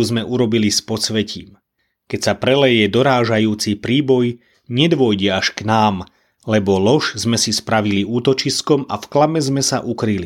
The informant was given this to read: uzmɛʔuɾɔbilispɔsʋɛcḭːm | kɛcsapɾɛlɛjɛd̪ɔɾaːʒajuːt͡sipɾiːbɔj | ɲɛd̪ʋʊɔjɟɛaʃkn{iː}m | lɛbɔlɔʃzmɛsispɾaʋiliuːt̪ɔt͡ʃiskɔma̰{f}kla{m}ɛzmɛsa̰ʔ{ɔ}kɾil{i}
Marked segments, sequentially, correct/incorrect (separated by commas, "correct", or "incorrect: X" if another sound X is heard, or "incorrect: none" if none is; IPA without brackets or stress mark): incorrect: aː, correct, correct, incorrect: u, correct